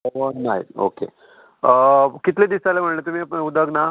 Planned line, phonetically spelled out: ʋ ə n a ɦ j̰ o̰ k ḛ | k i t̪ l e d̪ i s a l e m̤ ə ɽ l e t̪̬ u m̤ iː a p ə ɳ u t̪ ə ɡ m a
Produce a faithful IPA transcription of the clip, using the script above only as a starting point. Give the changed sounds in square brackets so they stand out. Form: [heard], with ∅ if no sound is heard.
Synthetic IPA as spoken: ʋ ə n a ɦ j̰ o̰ k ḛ | k i t̪ l e d̪ i s a l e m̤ ə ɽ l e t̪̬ u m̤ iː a p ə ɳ u [d̪] ə ɡ [n] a